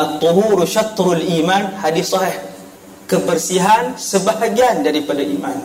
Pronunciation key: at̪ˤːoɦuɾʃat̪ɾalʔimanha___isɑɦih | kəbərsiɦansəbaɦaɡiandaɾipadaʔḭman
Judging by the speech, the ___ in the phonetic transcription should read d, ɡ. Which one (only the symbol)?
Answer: d